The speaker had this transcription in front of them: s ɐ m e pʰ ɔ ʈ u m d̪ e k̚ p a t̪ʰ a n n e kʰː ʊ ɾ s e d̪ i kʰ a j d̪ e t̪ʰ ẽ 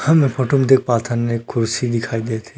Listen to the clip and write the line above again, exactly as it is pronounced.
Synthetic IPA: h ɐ m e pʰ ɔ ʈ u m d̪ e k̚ p a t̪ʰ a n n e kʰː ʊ ɾ s i d̪ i kʰ a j d̪ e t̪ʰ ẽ